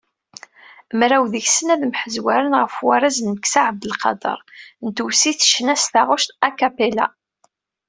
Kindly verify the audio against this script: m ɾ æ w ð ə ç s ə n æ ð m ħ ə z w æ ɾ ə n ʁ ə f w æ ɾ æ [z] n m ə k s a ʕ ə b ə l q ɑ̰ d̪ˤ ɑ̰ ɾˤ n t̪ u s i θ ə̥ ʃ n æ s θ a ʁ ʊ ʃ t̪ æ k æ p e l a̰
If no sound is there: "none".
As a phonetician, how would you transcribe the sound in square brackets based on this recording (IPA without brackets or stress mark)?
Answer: z